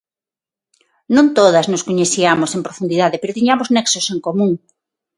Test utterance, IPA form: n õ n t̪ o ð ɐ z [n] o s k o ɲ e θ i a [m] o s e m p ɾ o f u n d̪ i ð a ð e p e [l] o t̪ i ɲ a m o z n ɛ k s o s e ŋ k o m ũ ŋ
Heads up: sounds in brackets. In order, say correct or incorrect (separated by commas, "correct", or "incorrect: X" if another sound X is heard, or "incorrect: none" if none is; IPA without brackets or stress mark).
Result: correct, correct, incorrect: ɾ